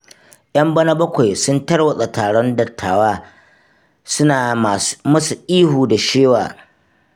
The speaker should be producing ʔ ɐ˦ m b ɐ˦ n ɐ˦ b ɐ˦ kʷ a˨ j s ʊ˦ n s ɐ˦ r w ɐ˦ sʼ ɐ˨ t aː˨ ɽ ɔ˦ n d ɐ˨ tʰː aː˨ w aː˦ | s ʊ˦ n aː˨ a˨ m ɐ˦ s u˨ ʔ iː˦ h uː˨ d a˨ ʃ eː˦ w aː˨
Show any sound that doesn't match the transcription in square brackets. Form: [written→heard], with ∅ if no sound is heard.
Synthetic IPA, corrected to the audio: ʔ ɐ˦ m b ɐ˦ n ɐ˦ b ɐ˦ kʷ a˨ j s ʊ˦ n [s→t] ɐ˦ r w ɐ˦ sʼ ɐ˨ t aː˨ ɽ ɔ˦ n d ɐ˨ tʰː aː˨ w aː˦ | s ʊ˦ n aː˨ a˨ m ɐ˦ s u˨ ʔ iː˦ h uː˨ d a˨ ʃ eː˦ w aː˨